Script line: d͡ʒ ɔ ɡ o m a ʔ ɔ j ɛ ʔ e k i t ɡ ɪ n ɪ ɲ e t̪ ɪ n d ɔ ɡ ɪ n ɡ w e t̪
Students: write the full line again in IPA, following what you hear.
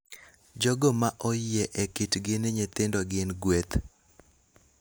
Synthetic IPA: d͡ʒ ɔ ɡ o m a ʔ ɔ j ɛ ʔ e k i t ɡ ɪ n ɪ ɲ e t̪ ɪ n d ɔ ɡ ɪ n ɡ w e t̪

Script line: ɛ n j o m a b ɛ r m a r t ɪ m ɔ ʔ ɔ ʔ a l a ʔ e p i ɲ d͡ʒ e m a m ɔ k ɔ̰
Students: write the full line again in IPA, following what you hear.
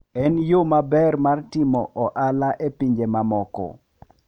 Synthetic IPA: ɛ n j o m a b ɛ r m a r t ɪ m ɔ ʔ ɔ ʔ a l a ʔ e p i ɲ d͡ʒ e m a m ɔ k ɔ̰

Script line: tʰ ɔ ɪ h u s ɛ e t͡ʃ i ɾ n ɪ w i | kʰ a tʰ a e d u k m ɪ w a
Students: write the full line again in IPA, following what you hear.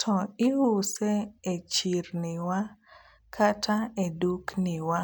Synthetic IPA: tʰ ɔ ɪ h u s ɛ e t͡ʃ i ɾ n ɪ w a | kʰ a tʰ a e d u k n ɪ w a

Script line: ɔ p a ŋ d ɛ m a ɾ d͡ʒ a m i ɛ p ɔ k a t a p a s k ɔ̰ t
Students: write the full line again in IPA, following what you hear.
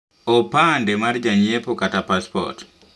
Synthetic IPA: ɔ p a n d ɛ m a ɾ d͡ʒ a ɲ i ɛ p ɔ k a t a p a s p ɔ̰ t

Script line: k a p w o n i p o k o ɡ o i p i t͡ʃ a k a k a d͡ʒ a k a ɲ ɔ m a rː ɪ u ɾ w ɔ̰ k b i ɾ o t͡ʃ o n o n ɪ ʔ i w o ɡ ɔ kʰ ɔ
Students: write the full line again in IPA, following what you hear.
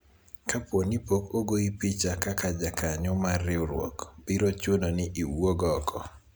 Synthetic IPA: k a p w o n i p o k o ɡ o i p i t͡ʃ a k a k a d͡ʒ a k a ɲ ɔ m a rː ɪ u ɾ w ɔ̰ k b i ɾ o t͡ʃ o n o n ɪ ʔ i w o ɡ ɔ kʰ ɔ

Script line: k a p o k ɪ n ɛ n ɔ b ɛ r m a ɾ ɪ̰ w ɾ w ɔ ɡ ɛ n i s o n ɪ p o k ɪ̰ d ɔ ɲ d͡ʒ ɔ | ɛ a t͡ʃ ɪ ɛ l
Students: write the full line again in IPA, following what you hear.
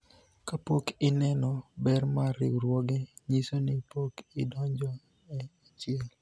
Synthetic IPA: k a p o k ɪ n ɛ n ɔ b ɛ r m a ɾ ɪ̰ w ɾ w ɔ ɡ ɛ ɲ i s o n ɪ p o k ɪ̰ d ɔ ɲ d͡ʒ ɔ | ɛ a t͡ʃ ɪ ɛ l

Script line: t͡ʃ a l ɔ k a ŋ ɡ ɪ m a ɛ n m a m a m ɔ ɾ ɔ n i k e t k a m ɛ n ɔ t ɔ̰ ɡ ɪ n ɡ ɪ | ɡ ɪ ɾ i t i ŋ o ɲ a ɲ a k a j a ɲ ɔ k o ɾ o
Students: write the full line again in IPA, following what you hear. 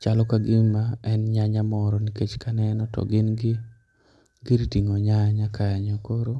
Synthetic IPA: t͡ʃ a l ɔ k a ɡ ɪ m a ɛ n ɲ a ɲ a m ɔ ɾ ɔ n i k e t͡ʃ k a n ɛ n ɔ t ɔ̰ ɡ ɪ n ɡ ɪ | ɡ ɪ ɾ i t i ŋ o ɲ a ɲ a k a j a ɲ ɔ k o ɾ o

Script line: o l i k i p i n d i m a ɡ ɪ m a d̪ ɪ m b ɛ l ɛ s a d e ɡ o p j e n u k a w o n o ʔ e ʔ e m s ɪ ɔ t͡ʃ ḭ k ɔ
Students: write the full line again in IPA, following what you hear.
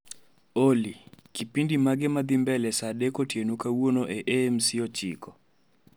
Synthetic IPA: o l i k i p i n d i m a ɡ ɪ m a d̪ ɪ m b ɛ l ɛ s a d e k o t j e n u k a w o n o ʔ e ʔ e m s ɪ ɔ t͡ʃ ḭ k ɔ

